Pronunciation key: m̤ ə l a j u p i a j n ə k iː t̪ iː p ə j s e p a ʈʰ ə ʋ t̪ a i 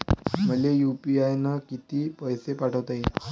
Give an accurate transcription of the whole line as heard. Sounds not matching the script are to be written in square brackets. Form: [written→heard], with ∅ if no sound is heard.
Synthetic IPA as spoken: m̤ ə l [a→e] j u p i a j n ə k [iː→i] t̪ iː p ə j s e p a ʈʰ ə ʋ t̪ a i

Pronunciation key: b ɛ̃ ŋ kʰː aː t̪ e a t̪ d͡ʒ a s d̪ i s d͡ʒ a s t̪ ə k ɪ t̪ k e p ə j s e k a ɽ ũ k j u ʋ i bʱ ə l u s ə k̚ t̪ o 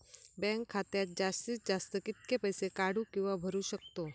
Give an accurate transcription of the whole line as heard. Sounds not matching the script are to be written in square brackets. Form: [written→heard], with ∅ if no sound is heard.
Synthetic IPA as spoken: b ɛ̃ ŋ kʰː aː t̪ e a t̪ d͡ʒ a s [d̪→t̪] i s d͡ʒ a s t̪ ə k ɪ t̪ k e p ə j s e k a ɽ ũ k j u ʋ [i→a] bʱ ə [l→ɾ] u [s→ʃ] ə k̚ t̪ o

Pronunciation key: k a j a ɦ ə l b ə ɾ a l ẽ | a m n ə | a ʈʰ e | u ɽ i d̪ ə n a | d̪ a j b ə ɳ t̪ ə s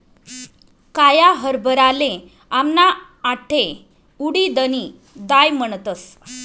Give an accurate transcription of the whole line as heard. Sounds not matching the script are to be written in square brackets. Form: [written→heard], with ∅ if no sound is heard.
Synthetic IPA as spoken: k a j a ɦ ə [l→ɾ] b ə ɾ a l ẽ | a m n [ə→a] | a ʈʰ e | u ɽ i d̪ ə n [a→i] | d̪ a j [b→m] ə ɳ t̪ ə s

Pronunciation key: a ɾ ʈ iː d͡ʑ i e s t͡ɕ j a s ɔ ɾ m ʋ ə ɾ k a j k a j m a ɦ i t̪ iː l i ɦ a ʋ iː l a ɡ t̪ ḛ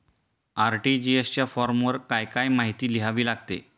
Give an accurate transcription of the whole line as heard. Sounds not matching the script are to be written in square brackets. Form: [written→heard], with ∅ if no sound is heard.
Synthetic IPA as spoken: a ɾ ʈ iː d͡ʑ i e s t͡ɕ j a [s→f] ɔ ɾ m ʋ ə ɾ k a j k a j m a ɦ i t̪ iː l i ɦ a ʋ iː l a ɡ t̪ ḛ

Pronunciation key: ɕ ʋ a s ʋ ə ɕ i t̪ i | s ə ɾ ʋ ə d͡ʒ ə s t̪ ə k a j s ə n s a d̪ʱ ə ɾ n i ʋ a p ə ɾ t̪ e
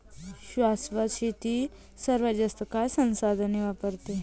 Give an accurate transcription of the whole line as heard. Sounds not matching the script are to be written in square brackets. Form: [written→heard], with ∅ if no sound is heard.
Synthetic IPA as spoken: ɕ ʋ a s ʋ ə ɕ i t̪ i | s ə ɾ ʋ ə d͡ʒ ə s t̪ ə k a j s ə n s a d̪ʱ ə [ɾ→∅] n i ʋ a p ə ɾ t̪ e

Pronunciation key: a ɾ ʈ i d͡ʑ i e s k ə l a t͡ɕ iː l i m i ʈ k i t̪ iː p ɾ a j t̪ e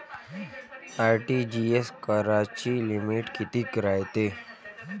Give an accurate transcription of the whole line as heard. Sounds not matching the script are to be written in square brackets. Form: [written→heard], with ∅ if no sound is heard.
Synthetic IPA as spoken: a ɾ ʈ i d͡ʑ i e s k ə [l→ɾ] a t͡ɕ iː l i m i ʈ k i t̪ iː [p→k] ɾ a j t̪ e

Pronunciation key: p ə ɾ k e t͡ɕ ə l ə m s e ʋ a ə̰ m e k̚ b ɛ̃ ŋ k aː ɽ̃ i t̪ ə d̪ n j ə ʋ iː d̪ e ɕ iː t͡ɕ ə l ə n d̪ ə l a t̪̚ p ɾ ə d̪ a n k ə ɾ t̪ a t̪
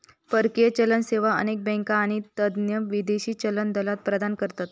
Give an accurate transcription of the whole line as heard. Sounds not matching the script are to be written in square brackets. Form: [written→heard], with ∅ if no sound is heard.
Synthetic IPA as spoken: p ə ɾ k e t͡ɕ ə l ə [m→n] s e ʋ a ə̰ [m→n] e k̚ b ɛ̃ ŋ k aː ɽ̃ i t̪ ə d̪ n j ə ʋ [iː→i] d̪ e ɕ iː t͡ɕ ə l ə n d̪ ə l a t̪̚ p ɾ ə d̪ a n k ə ɾ t̪ a t̪

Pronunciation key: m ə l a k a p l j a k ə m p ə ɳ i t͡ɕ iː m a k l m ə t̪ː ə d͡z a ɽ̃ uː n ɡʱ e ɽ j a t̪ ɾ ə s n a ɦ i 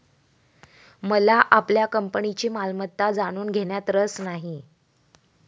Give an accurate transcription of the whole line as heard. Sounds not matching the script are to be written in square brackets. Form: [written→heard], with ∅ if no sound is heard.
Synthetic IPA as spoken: m ə l a [k→ʔ] a p l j a k ə m p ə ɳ i t͡ɕ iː m a [k→∅] l m ə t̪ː [ə→a] d͡z a ɽ̃ uː n ɡʱ e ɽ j a t̪ ɾ ə s n a ɦ i

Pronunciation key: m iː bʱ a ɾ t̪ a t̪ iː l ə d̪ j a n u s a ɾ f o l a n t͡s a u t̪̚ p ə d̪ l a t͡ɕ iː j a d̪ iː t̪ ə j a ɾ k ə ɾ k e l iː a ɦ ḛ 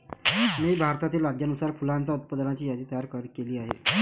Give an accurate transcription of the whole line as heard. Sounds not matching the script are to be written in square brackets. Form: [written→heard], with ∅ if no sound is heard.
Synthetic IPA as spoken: m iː bʱ a ɾ t̪ a t̪ iː l [ə→a] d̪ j a n u s a ɾ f [o→u] l a n t͡s a u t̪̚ p ə d̪ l a t͡ɕ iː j a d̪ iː t̪ ə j a ɾ k ə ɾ k e l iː a ɦ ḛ

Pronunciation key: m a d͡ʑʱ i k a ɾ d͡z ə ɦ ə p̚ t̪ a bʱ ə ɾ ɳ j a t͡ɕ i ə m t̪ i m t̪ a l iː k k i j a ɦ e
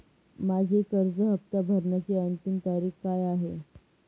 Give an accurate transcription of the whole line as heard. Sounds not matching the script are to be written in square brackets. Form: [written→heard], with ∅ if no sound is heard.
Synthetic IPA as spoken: m a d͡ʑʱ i k [a→ə] ɾ d͡z ə ɦ ə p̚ t̪ a bʱ ə ɾ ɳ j a t͡ɕ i ə [m→n] t̪ i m t̪ a [l→ɾ] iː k k [i→a] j a ɦ e

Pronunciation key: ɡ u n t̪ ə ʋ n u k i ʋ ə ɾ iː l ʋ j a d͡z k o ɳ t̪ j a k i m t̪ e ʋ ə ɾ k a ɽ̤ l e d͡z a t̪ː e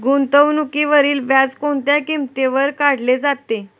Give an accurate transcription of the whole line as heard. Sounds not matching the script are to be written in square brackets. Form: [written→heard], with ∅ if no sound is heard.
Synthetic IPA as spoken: ɡ u n t̪ ə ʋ n u k i ʋ ə ɾ iː l ʋ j a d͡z k o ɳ t̪ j a k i m t̪ e ʋ ə ɾ k a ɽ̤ l e d͡z a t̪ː e

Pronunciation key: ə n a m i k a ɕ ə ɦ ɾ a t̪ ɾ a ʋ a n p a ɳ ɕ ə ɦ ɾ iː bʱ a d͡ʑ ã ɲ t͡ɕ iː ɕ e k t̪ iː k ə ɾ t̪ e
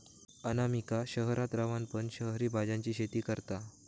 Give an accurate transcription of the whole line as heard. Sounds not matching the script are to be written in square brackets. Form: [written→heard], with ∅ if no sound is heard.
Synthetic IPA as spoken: ə n a m i k a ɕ ə ɦ ɾ a t̪ ɾ a ʋ a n p [a→ə] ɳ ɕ ə ɦ ɾ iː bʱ a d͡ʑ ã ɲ t͡ɕ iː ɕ e [k→∅] t̪ iː k ə ɾ t̪ [e→a]

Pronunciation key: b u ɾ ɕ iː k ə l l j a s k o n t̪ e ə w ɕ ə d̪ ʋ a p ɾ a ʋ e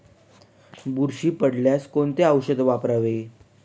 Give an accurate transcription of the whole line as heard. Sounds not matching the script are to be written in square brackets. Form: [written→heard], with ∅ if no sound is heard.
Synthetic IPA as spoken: b u ɾ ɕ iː [k→p] ə [l→ɽ] l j a s k o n t̪ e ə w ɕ ə d̪ ʋ a p ɾ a ʋ e

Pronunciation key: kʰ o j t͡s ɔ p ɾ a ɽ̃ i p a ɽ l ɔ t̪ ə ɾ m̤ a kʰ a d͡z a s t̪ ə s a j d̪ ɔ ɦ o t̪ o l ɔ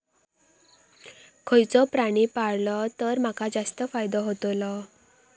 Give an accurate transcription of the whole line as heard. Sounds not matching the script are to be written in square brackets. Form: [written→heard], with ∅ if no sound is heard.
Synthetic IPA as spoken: kʰ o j t͡s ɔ p ɾ a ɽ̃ i p a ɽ l ɔ t̪ ə ɾ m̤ a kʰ a d͡z a s t̪ ə [s→f] a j d̪ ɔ ɦ o t̪ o l ɔ

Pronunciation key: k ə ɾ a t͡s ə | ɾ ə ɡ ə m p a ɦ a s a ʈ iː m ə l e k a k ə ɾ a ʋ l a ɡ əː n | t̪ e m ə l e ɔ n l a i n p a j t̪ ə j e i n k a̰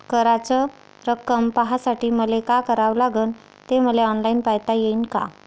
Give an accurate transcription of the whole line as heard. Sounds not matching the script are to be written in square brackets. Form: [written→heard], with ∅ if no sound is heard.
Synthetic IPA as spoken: k ə ɾ a t͡s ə | ɾ ə [ɡ→k] ə m p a ɦ a s a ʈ iː m ə l e k a k ə ɾ a ʋ l a ɡ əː n | t̪ e m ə l e ɔ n l a i n p a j t̪ [ə→a] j e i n k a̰

